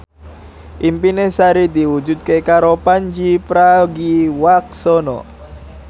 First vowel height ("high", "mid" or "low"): high